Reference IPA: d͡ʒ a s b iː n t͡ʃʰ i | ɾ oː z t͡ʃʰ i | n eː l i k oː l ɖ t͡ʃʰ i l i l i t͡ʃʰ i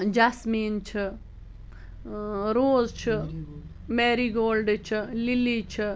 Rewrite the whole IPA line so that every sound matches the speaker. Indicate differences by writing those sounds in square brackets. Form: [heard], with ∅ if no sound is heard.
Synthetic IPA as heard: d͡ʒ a s [m] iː n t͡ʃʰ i | ɾ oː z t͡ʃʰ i | [m] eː [ɾ] i [ɡ] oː l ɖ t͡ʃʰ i l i l i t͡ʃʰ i